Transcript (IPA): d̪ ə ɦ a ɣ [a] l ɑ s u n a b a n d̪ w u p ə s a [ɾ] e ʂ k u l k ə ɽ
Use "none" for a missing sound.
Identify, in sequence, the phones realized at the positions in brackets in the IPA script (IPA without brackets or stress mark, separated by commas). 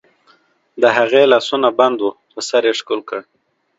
e, ɾ